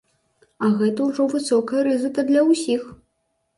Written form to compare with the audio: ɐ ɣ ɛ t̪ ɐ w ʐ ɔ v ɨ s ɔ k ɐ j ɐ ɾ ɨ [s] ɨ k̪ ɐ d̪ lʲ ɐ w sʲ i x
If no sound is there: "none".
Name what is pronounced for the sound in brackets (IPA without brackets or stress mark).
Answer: z